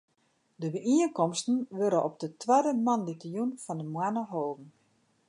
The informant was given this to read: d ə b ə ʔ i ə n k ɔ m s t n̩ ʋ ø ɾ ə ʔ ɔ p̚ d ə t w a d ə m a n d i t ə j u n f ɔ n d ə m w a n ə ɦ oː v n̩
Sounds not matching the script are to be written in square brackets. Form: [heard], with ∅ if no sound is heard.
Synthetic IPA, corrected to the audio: d ə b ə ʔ i ə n k ɔ m s t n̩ ʋ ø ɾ ə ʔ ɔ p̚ d ə t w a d ə m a n d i t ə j u n f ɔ n d ə m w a n ə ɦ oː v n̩